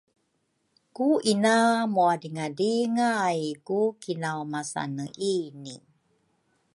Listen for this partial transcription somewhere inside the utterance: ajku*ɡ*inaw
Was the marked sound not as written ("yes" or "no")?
yes